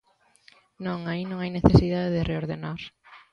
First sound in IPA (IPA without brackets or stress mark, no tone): n